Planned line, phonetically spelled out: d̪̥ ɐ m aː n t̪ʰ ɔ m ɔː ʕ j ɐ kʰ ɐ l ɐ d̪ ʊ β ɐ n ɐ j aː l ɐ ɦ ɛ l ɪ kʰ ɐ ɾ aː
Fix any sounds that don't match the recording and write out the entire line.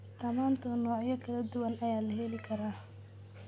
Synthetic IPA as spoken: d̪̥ ɐ m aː n t̪ʰ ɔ n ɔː ʕ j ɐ kʰ ɐ l ɐ d̪ ʊ w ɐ n ɐ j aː l ɐ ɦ ɛ l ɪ kʰ ɐ ɾ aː